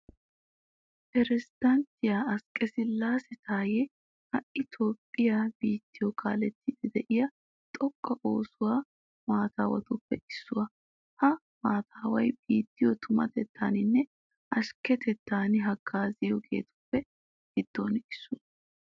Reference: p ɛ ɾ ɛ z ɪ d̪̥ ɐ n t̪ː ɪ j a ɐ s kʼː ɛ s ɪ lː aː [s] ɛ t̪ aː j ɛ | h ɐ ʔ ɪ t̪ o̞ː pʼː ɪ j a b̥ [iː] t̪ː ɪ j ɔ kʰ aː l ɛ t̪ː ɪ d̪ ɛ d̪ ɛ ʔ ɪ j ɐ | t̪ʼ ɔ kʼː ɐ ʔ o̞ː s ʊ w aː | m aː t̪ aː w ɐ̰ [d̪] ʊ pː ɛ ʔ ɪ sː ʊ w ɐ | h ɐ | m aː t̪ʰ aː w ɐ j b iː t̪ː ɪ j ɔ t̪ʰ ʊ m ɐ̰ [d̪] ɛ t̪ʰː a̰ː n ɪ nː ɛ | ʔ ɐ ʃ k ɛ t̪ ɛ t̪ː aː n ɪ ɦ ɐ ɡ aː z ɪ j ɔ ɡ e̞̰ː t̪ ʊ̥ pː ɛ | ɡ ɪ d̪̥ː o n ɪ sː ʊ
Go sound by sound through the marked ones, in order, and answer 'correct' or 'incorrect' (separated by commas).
correct, correct, incorrect, incorrect